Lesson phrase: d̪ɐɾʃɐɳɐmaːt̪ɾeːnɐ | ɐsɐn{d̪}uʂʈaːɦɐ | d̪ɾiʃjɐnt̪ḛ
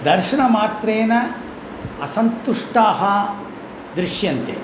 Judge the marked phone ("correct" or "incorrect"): incorrect